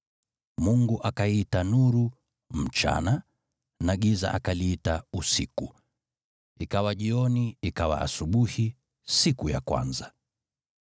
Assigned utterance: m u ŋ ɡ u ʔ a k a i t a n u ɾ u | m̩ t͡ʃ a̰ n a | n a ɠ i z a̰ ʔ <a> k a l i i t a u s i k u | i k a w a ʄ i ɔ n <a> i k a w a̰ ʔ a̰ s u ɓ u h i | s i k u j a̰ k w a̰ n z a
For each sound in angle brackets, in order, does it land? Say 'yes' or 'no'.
yes, no

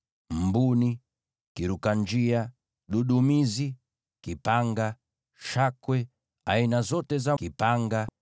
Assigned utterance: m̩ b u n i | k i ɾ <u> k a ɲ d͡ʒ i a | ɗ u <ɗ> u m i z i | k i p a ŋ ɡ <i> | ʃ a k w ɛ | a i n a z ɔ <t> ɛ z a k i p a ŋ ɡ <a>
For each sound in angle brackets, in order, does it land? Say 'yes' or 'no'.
yes, yes, no, yes, yes

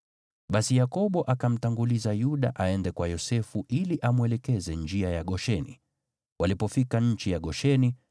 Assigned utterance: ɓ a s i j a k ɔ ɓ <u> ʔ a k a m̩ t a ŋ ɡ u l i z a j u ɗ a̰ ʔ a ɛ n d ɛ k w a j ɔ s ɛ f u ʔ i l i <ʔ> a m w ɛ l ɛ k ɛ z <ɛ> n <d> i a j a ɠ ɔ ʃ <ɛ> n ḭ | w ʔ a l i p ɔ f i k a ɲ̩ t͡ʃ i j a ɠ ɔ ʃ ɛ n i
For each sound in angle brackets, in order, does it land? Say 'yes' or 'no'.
no, yes, yes, no, yes

